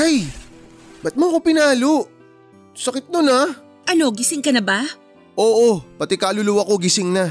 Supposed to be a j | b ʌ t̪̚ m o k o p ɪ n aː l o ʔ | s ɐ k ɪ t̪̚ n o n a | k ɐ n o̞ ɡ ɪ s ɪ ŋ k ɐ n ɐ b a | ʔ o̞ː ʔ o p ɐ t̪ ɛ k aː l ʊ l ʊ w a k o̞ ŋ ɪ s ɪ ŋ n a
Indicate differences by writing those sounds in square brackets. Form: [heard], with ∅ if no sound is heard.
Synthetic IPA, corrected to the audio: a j | b [ɐ] t̪̚ m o k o p ɪ n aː l o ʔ | s ɐ k ɪ t̪̚ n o n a | [ʔ] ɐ n o̞ ɡ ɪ s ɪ ŋ k ɐ n ɐ b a | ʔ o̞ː ʔ o p ɐ t̪ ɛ k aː l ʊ l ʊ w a k o̞ [ɡ] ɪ s ɪ ŋ n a